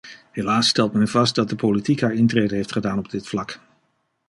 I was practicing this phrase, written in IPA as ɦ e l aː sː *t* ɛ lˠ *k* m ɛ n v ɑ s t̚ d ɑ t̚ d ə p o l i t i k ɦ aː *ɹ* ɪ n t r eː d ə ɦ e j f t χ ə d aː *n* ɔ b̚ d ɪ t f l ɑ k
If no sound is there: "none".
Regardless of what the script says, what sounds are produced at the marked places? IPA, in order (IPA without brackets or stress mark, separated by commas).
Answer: t, t, ɹ, n